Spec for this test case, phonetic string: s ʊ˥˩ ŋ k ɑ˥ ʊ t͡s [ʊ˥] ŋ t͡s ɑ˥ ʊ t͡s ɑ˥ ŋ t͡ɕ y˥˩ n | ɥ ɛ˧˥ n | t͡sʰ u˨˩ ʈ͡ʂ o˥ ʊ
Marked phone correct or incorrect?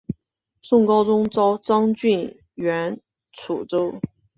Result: correct